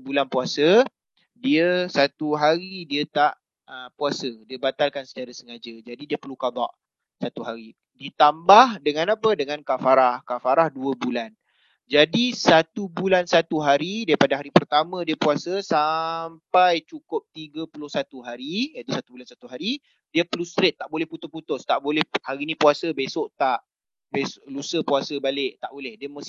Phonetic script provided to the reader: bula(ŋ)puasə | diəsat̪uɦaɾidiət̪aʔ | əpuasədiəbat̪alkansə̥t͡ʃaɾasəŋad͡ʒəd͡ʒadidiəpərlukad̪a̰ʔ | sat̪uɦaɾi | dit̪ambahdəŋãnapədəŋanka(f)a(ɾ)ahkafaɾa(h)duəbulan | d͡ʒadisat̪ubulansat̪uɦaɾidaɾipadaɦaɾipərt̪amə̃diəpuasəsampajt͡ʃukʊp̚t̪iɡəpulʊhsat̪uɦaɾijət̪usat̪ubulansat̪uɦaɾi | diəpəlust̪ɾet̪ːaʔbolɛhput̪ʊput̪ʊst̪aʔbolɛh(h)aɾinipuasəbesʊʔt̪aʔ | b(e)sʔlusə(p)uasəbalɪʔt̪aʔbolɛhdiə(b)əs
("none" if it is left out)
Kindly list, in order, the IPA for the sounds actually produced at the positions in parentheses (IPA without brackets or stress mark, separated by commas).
n, f, ɾ, h, h, e, p, m